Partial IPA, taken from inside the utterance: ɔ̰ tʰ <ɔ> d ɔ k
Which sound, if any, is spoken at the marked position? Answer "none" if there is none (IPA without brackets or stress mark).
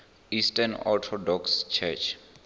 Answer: ɔ